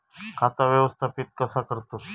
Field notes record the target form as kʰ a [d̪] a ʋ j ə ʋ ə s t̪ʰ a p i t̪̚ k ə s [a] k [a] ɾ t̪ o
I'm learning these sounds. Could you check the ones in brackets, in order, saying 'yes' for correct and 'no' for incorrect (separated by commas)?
no, yes, no